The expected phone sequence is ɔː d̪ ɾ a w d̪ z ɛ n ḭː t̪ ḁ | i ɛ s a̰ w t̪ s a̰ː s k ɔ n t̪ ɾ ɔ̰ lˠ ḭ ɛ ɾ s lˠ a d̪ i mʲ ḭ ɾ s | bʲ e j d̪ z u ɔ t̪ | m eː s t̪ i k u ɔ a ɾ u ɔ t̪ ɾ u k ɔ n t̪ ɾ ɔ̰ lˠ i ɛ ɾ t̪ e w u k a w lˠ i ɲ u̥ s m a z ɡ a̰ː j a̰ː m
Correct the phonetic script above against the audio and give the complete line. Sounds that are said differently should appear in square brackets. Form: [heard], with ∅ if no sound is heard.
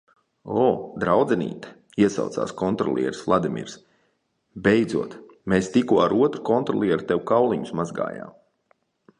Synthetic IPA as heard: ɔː d̪ ɾ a w d̪ z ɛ n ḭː t̪ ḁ | i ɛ s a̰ w t̪ s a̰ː s k ɔ n t̪ ɾ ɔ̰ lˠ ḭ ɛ ɾ s lˠ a d̪ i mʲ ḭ ɾ s | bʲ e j d̪ z u ɔ t̪ | m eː s t̪ i k u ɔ a ɾ u ɔ t̪ ɾ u k ɔ n t̪ ɾ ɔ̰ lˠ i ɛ ɾ t̪ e w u k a w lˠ i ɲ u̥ s m a z ɡ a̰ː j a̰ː m